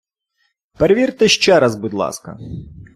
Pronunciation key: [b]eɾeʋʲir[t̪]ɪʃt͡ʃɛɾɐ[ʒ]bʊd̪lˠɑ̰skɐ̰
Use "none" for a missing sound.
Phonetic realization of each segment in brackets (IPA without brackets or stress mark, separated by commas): p, t̪, z